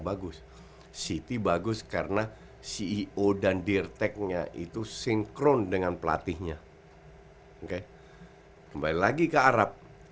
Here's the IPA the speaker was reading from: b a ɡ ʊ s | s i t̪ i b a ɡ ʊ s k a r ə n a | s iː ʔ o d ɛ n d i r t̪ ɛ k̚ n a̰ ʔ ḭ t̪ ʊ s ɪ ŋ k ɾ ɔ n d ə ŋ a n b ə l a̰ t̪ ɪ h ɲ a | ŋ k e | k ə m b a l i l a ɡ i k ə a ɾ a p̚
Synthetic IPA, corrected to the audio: b a ɡ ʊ s | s i t̪ i b a ɡ ʊ s k a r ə n a | s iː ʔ o d a n d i r t̪ ɛ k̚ ɲ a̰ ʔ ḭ t̪ u s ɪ ŋ k ɾ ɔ n d ə ŋ a n p ə l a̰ t̪ ɪ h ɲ a | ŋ k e | k ə m b a l i l a ɡ i k ə a ɾ a p̚